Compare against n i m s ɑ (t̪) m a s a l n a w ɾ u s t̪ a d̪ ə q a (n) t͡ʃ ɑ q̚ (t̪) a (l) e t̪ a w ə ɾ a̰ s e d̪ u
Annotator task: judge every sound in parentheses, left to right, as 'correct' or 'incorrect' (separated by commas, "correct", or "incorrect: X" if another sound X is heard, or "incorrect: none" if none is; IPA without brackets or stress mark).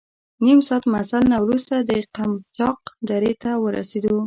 correct, incorrect: m, incorrect: d̪, incorrect: ɾ